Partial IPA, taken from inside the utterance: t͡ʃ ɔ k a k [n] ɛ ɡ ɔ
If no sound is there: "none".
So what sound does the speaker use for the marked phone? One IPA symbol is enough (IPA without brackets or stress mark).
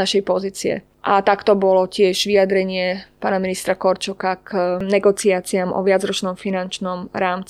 n